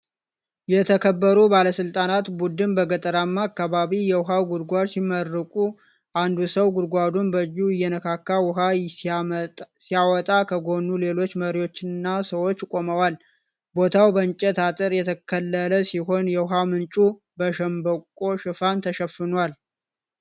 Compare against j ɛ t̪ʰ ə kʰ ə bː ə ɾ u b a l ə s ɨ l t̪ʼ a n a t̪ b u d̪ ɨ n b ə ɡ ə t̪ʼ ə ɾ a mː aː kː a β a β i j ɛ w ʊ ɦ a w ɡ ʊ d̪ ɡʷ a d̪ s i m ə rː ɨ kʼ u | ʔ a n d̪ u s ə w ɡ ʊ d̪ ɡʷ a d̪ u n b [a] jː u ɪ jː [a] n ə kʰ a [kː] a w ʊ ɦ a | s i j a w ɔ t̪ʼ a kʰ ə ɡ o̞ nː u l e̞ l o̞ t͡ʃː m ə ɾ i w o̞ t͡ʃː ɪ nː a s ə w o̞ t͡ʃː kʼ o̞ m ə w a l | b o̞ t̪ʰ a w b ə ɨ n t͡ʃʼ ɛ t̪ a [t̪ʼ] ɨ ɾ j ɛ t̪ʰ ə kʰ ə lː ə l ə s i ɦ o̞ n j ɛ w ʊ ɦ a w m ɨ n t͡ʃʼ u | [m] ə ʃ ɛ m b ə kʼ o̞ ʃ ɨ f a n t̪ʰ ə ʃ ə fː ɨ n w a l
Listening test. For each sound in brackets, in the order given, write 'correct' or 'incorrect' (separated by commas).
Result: incorrect, incorrect, correct, correct, incorrect